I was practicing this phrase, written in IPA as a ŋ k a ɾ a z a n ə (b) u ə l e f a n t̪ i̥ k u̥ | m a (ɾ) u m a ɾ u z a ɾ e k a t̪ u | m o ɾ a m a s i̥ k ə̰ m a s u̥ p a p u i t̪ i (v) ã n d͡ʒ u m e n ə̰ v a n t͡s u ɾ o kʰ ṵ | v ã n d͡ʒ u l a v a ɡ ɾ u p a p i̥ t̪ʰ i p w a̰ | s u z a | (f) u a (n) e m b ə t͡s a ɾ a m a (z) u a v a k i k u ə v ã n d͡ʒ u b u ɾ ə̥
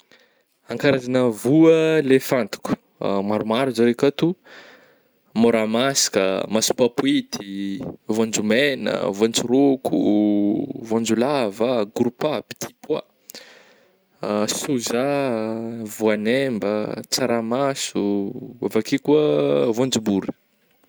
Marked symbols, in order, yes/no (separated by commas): no, yes, yes, no, yes, no